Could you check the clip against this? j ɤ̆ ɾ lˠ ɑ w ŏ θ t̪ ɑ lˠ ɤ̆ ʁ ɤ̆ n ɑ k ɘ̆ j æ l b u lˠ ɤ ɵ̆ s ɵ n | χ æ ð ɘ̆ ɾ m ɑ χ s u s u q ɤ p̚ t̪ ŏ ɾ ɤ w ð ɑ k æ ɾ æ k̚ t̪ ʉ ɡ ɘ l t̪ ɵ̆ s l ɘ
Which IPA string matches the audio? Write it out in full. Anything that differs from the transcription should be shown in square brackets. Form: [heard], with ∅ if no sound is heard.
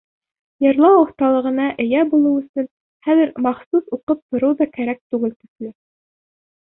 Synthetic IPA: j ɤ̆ ɾ lˠ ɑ w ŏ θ t̪ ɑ lˠ ɤ̆ ʁ ɤ̆ n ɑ [ʔ] ɘ̆ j æ [∅] b u lˠ ɤ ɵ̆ s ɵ n | χ æ ð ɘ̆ ɾ m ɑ χ s u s u q ɤ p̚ t̪ ŏ ɾ ɤ w ð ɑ k æ ɾ æ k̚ t̪ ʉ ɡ ɘ l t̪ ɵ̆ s l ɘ